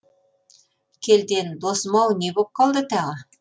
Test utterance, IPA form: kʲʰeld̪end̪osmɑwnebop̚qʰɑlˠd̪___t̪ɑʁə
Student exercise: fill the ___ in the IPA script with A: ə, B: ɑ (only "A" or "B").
A